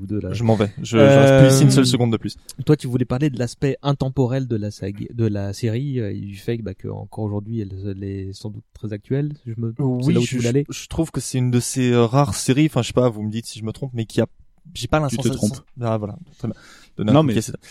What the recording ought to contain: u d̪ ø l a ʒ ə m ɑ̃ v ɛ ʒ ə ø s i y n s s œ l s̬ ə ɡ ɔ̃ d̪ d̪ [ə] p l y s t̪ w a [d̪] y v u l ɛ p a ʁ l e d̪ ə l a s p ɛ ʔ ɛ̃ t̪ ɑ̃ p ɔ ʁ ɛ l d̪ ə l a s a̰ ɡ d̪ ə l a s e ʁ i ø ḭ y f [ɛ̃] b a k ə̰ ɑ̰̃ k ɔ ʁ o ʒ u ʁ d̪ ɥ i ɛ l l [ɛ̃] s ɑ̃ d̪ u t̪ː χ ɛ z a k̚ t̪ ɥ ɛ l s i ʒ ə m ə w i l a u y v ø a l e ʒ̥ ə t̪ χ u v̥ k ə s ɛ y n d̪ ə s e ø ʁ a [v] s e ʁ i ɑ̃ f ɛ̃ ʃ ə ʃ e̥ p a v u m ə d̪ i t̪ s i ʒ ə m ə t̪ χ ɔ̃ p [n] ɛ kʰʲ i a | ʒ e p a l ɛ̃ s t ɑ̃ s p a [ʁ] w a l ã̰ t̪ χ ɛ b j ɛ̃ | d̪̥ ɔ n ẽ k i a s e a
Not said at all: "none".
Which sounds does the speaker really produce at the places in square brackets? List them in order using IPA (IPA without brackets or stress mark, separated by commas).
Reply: ə, t̪, ɛ, ɛ, ʁ, m, v